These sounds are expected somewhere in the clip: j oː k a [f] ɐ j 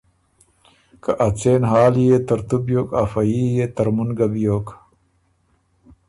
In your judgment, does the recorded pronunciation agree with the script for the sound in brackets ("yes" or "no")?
yes